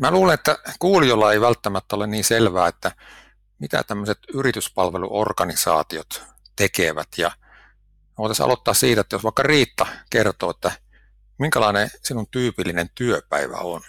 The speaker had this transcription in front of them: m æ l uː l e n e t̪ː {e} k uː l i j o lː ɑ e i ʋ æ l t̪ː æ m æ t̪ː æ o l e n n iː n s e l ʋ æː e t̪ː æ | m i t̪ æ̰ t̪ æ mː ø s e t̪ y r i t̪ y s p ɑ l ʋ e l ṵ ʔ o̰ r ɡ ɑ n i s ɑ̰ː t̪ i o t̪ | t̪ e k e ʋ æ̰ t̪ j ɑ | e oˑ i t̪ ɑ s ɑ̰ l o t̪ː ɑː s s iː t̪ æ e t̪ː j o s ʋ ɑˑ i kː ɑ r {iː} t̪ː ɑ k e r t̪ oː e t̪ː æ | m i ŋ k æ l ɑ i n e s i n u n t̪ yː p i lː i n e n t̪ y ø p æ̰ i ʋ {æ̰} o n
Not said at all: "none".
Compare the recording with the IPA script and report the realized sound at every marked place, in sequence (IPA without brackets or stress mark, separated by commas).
æ, iː, æ̰